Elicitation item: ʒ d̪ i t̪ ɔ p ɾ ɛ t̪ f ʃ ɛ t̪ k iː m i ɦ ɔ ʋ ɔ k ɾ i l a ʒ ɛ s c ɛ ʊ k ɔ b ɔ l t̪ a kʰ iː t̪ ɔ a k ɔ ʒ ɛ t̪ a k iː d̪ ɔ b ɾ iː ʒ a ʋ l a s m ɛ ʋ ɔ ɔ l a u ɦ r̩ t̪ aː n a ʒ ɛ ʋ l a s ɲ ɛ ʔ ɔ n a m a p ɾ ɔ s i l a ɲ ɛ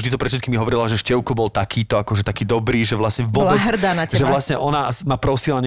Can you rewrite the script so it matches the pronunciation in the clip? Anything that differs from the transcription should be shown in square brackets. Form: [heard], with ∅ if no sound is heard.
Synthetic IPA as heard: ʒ d̪ i t̪ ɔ p ɾ ɛ t̪ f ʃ ɛ t̪ k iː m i ɦ ɔ ʋ ɔ [∅] ɾ i l a ʒ ɛ [ʃ] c ɛ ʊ k ɔ b ɔ l t̪ a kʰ iː t̪ ɔ a k ɔ ʒ ɛ t̪ a k iː d̪ ɔ b ɾ iː ʒ [ɛ] ʋ l a s [ɲ] ɛ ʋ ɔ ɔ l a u ɦ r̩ [d̪] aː n a ʒ ɛ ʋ l a s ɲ ɛ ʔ ɔ n a m a p ɾ ɔ s i l a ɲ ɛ